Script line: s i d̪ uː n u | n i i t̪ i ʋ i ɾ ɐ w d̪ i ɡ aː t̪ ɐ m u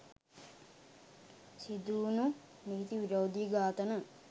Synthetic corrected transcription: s i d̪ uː n u | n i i t̪ i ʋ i ɾ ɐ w d̪ i ɡ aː t̪ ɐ n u